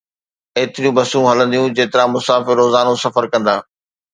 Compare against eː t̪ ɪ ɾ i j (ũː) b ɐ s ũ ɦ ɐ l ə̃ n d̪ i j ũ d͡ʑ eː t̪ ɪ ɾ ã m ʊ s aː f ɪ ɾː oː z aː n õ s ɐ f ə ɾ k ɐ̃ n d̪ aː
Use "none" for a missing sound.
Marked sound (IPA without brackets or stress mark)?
ũ